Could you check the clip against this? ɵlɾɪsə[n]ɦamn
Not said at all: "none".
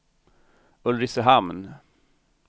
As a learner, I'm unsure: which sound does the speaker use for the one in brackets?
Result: none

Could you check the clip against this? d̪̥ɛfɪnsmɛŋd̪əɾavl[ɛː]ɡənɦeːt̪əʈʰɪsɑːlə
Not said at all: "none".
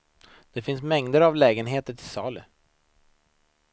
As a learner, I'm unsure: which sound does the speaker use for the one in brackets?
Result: ɛː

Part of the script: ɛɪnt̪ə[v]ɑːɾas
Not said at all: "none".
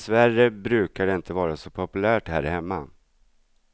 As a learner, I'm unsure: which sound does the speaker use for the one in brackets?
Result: v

